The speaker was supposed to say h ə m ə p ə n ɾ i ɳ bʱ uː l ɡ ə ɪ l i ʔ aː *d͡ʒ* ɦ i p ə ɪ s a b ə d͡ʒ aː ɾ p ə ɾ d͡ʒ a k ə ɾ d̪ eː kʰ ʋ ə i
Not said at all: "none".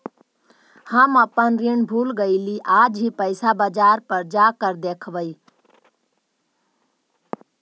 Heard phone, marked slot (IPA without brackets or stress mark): d͡ʒ